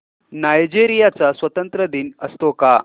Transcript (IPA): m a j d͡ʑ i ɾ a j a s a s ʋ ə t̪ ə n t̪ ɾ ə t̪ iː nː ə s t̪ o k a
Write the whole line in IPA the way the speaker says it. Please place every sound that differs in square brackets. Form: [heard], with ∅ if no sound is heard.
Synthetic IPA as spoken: [n] a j d͡ʑ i ɾ [i] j a [t͡s] a s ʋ ə t̪ ə n t̪ ɾ ə [d̪] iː [n] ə s t̪ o k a